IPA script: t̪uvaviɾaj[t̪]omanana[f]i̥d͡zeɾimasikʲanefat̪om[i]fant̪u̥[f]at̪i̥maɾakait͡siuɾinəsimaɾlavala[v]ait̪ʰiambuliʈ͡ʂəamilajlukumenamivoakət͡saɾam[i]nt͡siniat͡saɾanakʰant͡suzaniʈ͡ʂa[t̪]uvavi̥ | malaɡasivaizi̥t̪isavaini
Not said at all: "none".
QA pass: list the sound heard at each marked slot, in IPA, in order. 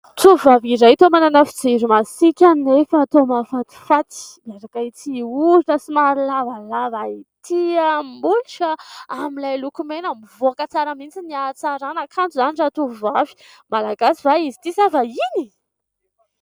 t̪, f, a, f, v, i, t̪

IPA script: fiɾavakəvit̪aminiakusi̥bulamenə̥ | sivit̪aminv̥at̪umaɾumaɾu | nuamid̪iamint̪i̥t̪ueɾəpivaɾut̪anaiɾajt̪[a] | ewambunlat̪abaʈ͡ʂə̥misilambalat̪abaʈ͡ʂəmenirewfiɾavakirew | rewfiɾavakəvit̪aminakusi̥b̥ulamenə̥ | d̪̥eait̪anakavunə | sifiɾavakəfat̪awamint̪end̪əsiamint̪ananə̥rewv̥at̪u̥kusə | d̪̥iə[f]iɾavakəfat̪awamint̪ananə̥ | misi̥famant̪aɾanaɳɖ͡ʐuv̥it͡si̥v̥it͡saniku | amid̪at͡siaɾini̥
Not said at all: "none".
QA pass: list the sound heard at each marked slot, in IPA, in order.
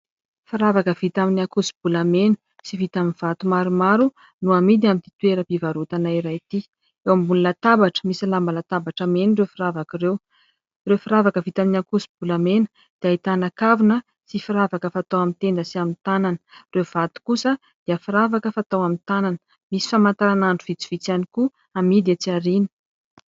i, f

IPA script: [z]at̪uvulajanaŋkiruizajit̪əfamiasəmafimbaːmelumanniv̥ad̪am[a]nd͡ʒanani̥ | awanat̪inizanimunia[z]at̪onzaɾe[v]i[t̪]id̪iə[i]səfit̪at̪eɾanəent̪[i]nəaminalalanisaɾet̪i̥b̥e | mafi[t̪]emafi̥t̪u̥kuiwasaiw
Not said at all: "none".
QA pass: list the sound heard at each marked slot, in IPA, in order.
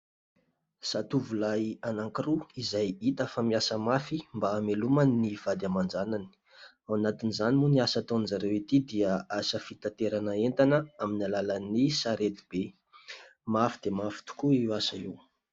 s, a, s, w, t̪, a, a, d̪

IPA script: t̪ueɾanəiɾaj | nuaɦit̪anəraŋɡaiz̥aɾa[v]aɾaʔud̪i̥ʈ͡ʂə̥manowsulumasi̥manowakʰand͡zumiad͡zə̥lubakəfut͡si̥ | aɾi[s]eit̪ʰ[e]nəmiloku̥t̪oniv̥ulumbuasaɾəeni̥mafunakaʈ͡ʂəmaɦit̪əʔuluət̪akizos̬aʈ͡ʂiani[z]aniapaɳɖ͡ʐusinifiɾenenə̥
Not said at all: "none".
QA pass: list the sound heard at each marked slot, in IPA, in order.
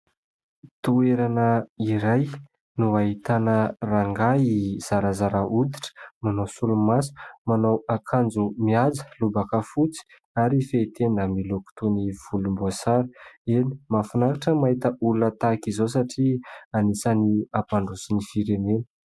z, f, e, s

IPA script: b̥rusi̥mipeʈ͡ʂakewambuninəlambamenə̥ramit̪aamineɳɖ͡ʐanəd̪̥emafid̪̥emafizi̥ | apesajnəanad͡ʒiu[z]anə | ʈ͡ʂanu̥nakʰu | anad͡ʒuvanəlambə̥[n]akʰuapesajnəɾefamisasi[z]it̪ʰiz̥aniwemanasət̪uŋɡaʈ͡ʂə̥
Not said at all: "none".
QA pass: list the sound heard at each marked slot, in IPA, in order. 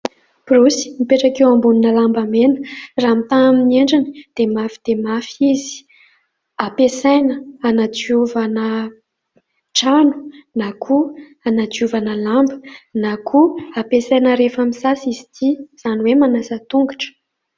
v, n, z

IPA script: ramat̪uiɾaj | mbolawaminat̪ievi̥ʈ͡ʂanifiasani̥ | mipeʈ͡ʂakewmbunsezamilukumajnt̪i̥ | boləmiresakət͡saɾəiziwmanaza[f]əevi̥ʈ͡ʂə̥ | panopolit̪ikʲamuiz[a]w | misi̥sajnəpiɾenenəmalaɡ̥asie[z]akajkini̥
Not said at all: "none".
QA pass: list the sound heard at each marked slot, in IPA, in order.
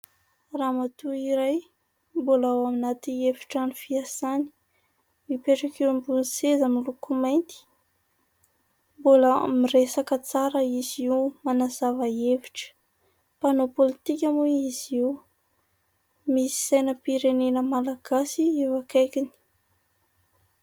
v, i, v

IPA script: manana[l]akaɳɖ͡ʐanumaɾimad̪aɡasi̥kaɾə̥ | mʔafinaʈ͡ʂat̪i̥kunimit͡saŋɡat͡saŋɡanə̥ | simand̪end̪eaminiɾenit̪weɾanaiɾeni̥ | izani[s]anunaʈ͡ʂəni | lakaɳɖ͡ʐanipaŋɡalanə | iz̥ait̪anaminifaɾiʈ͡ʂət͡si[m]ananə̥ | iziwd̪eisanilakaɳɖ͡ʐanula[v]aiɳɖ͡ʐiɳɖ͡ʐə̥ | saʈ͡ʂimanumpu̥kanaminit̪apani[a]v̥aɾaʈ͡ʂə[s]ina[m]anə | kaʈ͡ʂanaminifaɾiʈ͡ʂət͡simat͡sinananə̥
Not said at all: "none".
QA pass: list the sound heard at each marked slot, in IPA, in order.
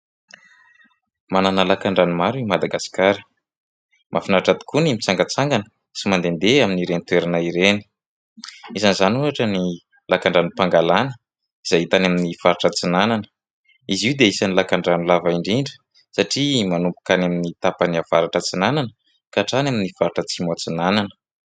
l, z, n, v, a, t͡s, n

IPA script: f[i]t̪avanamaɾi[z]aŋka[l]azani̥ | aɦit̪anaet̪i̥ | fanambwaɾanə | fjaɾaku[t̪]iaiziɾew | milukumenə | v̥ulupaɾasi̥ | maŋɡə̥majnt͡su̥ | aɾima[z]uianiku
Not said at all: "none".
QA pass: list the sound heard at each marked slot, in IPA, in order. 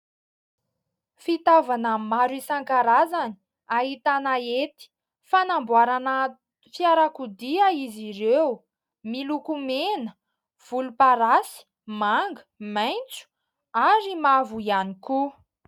i, s, ɾ, d̪, v

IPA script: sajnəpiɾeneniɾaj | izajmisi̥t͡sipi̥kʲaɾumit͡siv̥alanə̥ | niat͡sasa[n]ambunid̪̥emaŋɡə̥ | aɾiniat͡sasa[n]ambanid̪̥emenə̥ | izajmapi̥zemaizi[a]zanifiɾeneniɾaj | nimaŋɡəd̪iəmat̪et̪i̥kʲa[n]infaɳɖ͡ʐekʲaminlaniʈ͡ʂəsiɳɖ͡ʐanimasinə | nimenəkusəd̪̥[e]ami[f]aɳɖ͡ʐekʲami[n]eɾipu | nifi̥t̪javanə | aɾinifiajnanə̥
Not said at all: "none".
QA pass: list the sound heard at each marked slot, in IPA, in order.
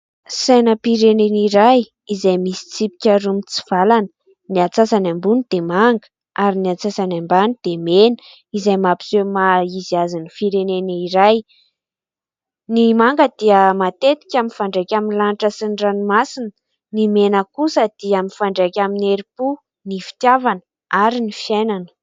n, n, a, m, i, f, n

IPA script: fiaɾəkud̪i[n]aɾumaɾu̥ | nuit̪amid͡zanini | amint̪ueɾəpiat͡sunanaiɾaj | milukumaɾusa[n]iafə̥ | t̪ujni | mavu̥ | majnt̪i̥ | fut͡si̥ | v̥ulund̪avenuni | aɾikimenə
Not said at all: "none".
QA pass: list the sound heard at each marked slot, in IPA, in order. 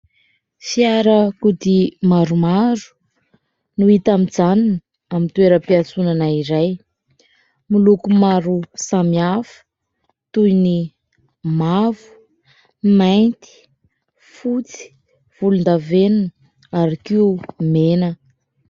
m, m

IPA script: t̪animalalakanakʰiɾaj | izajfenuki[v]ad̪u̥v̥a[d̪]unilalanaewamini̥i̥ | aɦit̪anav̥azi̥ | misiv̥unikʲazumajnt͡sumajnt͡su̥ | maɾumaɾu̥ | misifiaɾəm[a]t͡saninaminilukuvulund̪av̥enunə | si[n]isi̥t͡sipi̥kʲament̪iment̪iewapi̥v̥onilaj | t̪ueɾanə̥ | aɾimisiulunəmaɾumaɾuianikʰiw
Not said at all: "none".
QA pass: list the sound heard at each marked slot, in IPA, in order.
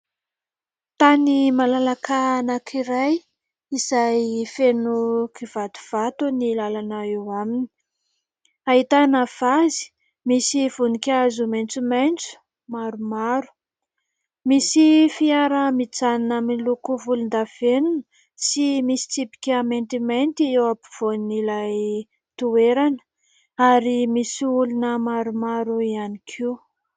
v, t̪, i, m

